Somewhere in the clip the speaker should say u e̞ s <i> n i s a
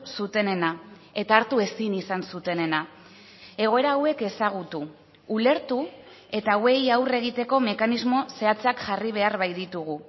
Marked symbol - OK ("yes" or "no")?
yes